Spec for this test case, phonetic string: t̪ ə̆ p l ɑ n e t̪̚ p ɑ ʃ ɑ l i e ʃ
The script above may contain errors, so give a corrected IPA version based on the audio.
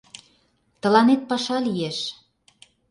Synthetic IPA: t̪ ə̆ l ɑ n e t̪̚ p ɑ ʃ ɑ l i e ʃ